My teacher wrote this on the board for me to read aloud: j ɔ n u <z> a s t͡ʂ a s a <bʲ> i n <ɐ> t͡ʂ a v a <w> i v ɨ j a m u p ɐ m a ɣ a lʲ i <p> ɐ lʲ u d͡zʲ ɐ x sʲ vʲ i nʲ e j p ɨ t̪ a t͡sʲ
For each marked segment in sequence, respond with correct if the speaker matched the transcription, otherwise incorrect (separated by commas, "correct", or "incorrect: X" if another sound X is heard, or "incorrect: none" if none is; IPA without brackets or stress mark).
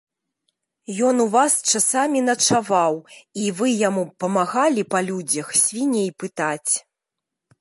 incorrect: v, incorrect: mʲ, correct, correct, correct